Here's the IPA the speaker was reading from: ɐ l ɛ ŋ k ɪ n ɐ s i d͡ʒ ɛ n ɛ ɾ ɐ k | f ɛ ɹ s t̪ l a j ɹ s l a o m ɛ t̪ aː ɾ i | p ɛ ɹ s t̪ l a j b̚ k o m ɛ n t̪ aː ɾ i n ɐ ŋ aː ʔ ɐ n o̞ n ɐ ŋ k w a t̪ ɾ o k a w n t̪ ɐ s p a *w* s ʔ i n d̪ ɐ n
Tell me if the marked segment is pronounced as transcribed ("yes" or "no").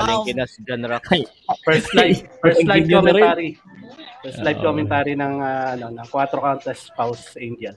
yes